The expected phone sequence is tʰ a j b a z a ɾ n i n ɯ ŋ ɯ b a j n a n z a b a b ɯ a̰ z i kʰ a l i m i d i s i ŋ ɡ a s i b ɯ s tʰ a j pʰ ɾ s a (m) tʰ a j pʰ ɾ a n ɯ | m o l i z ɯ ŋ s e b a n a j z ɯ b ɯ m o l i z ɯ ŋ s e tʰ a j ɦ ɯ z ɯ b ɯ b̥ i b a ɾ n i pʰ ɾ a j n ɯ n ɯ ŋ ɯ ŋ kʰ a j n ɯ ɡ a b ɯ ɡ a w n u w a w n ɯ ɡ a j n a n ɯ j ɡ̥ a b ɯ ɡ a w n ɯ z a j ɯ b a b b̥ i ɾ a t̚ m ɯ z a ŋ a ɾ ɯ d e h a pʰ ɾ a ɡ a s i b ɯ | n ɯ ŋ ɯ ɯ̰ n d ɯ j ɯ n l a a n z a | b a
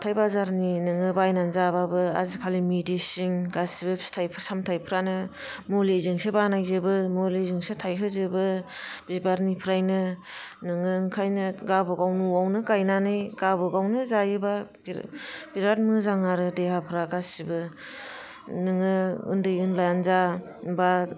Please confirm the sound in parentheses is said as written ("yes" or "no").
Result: yes